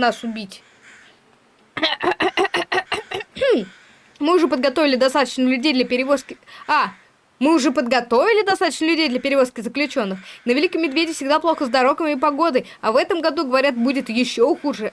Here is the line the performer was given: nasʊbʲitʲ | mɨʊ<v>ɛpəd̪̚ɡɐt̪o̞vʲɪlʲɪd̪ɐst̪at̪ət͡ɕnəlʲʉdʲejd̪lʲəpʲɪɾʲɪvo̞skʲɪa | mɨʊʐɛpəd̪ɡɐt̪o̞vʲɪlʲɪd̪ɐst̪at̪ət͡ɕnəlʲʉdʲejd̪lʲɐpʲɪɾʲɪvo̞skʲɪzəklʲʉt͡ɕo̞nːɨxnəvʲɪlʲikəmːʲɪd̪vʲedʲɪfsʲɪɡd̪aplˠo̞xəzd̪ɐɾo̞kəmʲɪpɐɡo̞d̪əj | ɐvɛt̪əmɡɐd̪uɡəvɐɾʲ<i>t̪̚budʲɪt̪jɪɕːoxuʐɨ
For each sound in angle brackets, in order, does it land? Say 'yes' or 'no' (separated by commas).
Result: no, no